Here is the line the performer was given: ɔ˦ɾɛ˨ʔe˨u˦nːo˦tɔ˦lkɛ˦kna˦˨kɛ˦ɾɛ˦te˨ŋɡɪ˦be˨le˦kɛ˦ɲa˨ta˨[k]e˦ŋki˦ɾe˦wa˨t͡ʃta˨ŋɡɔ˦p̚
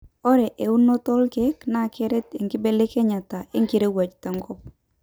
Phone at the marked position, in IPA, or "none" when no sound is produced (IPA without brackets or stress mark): none